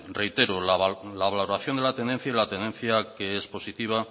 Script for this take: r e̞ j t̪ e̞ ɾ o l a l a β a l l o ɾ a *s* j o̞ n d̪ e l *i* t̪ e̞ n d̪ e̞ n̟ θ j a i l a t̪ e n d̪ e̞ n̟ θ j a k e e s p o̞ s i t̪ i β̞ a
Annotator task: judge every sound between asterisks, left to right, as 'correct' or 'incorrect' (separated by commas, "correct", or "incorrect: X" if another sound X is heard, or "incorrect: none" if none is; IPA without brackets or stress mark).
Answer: incorrect: θ, incorrect: a